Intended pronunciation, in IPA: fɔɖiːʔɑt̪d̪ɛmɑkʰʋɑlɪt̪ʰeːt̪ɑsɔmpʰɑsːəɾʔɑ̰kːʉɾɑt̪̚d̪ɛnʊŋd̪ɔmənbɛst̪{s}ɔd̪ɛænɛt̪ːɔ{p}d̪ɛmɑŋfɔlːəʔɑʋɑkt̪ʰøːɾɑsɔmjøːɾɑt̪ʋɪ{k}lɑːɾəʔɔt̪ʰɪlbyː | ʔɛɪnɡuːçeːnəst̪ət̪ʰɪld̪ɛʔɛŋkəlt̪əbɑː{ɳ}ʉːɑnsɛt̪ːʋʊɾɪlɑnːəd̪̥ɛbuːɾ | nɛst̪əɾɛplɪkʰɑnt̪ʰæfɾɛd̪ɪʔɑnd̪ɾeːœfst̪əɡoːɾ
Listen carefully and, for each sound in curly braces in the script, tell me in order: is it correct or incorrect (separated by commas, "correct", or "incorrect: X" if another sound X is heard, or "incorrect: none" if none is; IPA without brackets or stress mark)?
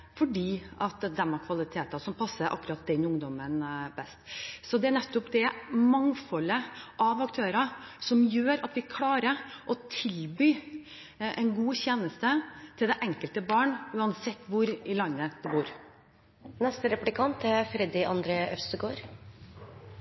correct, correct, incorrect: kʰ, correct